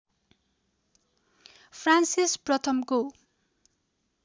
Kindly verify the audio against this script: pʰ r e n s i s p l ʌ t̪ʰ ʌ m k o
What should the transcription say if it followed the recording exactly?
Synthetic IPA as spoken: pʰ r a n s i s p r ʌ t̪ʰ ʌ m k o